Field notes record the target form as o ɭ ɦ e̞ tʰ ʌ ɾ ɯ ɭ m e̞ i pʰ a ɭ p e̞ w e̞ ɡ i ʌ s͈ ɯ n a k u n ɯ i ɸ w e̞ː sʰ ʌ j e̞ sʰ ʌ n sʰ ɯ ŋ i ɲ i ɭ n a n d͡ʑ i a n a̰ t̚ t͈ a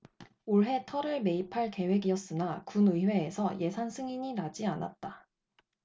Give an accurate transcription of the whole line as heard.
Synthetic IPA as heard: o ɭ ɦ e̞ tʰ ʌ ɾ ɯ ɭ m e̞ i pʰ a ɭ k e̞ w e̞ ɡ i ʌ s͈ ɯ n a k u n ɯ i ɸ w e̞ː sʰ ʌ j e̞ sʰ a n sʰ ɯ ŋ i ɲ i n a d͡ʑ i a n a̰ t̚ t͈ a